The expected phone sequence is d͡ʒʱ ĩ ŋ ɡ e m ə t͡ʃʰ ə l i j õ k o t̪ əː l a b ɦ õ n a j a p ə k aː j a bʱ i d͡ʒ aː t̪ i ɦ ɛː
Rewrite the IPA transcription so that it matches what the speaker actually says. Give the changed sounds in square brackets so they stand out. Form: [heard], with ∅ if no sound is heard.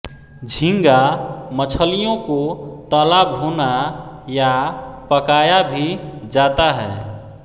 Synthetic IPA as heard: d͡ʒʱ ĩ ŋ ɡ [a] m ə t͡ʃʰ ə l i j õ k o t̪ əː l a b ɦ [o] n a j a p ə k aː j a bʱ i d͡ʒ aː t̪ [a] ɦ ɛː